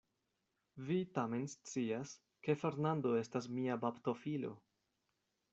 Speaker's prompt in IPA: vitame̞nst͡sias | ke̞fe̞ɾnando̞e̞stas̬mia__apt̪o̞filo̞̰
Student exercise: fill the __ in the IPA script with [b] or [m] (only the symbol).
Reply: b